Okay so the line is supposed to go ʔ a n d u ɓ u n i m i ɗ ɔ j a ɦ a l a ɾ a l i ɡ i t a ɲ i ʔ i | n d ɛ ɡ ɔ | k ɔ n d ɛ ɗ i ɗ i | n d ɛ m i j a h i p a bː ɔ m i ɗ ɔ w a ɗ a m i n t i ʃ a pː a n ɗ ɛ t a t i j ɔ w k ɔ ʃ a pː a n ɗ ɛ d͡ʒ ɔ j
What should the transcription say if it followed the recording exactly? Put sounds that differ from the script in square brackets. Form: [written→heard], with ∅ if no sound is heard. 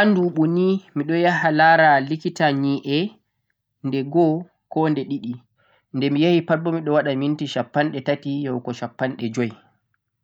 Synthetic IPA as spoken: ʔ a n d u ɓ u n i m i ɗ ɔ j a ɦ a l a ɾ a l i [ɡ→k] i t a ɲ i ʔ [i→ɛ] | n d ɛ ɡ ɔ | k ɔ n d ɛ ɗ i ɗ i | n d ɛ m i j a h i p a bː ɔ m i ɗ ɔ w a ɗ a m i n t i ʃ a pː a n ɗ ɛ t a t i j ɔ w k ɔ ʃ a pː a n ɗ ɛ d͡ʒ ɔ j

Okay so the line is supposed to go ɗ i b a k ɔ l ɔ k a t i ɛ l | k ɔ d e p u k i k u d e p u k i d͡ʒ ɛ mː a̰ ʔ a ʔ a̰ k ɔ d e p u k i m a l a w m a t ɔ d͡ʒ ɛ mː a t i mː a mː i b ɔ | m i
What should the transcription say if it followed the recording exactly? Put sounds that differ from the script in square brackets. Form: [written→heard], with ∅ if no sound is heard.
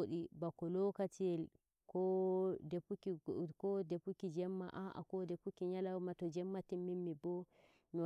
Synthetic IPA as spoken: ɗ i b a k ɔ l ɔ k a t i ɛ l | k ɔ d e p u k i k [u→ɔ] d e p u k i d͡ʒ ɛ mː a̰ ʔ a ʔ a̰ k ɔ d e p u k i [m→ɲ] a l a w m a t ɔ d͡ʒ ɛ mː a t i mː [a→i] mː i b ɔ | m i

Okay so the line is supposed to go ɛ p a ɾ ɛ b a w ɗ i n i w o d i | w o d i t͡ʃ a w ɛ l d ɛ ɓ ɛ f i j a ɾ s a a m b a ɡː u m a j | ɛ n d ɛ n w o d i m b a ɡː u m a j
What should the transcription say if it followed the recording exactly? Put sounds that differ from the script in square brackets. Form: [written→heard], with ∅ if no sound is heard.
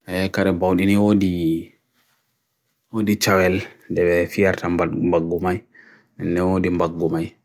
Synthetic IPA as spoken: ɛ [p→k] a ɾ ɛ b a w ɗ i n i w o d i | w o d i t͡ʃ a w ɛ l d ɛ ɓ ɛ f i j a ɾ [s→t] a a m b a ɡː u m a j | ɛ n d ɛ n w o d i m b a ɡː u m a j

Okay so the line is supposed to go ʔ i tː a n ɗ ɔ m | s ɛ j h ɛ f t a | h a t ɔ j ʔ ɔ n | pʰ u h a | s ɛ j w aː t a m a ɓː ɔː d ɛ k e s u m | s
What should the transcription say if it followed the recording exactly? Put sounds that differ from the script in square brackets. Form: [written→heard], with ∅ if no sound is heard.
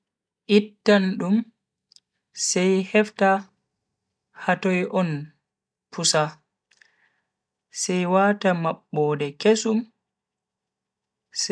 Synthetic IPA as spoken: ʔ i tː a n ɗ [ɔ→u] m | s ɛ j h ɛ f t a | h a t ɔ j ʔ ɔ n | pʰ u [h→s] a | s ɛ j w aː t a m a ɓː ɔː d ɛ k e s u m | s

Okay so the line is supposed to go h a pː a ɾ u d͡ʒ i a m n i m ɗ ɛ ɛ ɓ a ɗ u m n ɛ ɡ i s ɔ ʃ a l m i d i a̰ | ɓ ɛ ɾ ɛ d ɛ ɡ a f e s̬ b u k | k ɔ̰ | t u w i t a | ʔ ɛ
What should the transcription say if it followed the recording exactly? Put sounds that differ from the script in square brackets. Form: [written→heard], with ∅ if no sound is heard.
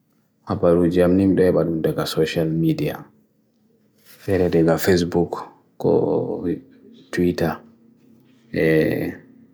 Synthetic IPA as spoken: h a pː a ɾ u d͡ʒ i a m n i m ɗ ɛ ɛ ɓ a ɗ u m [n→d] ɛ ɡ [i→a] s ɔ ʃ a l m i d i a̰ | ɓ ɛ ɾ ɛ d ɛ ɡ a f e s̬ b u k | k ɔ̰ | t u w i t a | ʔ ɛ

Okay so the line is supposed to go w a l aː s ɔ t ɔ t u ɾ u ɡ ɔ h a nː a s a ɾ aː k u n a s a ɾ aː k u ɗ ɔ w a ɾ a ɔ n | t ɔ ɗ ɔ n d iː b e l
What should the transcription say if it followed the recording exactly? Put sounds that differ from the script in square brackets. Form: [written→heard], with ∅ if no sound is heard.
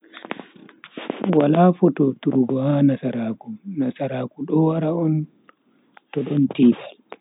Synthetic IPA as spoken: w a l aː [s→f] ɔ t ɔ t u ɾ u ɡ ɔ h a [nː→n] a s a ɾ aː k u n a s a ɾ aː k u ɗ ɔ w a ɾ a ɔ n | t ɔ ɗ ɔ n [d→t] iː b [e→a] l

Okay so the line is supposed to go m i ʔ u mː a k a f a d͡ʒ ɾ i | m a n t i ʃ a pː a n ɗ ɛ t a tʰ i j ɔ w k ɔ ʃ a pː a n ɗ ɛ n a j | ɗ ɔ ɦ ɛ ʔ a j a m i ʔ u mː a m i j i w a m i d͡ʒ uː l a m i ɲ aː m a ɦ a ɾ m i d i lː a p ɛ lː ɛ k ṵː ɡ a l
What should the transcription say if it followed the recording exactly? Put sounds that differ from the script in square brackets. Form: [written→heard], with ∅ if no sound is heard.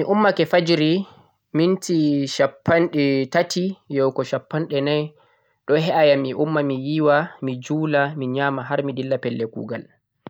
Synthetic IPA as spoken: m i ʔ u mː a k [a→ɛ] f a d͡ʒ ɾ i | m [a→i] n t i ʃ a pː a n ɗ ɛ t a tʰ i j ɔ w k ɔ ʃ a pː a n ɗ ɛ n a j | ɗ ɔ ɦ ɛ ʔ a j a m i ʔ u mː a m i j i w a m i d͡ʒ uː l a m i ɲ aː m a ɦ a ɾ m i d i lː a p ɛ lː ɛ k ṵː ɡ a l

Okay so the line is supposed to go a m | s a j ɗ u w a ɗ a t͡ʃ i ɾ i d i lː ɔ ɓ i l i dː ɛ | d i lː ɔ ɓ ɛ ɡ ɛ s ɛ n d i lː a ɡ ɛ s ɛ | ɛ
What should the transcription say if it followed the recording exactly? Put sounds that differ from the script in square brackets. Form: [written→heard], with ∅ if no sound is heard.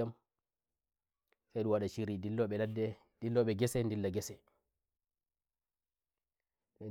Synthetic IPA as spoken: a m | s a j ɗ u w a ɗ a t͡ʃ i ɾ i d i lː ɔ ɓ [i→ɛ] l [i→a] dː ɛ | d i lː ɔ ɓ ɛ ɡ ɛ s ɛ n d i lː a ɡ ɛ s ɛ | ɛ

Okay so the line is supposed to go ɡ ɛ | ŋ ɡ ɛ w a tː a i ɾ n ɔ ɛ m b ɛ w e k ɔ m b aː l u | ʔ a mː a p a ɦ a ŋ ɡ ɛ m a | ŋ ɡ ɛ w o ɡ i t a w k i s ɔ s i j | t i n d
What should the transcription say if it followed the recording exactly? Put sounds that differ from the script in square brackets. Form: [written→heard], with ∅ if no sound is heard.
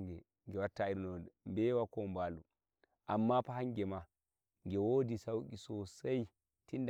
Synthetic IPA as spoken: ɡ ɛ | ŋ ɡ ɛ w a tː a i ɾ n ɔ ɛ m b ɛ w [e→a] k ɔ m b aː l u | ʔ a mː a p a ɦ a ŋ ɡ ɛ m a | ŋ ɡ ɛ w o [ɡ→d] i [t→s] a w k i s ɔ s [i→a] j | t i n d

